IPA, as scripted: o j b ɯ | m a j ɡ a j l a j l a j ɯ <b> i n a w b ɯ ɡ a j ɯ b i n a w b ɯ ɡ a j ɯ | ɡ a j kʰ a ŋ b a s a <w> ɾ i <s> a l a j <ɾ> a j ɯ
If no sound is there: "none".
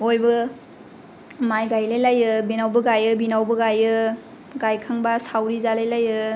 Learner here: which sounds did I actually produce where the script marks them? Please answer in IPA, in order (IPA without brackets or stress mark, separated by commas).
b, w, z, l